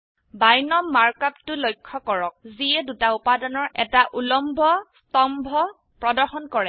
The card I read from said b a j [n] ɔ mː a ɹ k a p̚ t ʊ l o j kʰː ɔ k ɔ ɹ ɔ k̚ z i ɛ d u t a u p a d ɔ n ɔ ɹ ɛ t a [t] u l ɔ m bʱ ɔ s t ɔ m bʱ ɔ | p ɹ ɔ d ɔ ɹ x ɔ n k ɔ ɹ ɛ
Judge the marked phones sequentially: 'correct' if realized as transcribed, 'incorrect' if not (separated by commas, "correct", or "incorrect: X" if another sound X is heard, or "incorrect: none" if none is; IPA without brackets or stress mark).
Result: correct, incorrect: ʔ